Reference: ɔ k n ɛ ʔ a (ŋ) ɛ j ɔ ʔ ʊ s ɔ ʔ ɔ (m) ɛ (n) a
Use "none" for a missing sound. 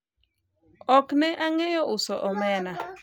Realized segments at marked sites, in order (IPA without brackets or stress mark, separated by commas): ŋ, m, n